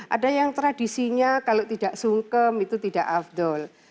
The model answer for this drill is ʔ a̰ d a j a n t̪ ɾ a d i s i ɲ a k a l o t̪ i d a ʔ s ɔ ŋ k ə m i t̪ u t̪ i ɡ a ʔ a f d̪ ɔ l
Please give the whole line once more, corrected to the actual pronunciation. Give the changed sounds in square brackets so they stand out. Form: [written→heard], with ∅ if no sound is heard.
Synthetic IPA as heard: ʔ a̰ d a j a [n→ŋ] t̪ ɾ a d i s i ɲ a k a l o t̪ i d a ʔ s [ɔ→u] ŋ k ə m i t̪ u t̪ i [ɡ→d] a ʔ a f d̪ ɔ l